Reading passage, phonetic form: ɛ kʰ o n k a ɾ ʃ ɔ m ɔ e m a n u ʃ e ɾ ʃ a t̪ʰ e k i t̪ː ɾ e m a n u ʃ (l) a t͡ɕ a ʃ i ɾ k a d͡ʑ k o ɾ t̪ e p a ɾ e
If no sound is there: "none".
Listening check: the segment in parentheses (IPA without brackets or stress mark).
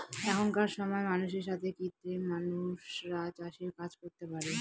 ɾ